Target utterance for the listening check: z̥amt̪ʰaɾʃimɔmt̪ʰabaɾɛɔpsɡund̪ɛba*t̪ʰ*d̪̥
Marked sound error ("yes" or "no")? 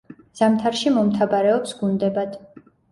yes